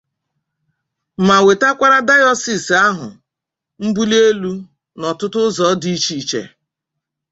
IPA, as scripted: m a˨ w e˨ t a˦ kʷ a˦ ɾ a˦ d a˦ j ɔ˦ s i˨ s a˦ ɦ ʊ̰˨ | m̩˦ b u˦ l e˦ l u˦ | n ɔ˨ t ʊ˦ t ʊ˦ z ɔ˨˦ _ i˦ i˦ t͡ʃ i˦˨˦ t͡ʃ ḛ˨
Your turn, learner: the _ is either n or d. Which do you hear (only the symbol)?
d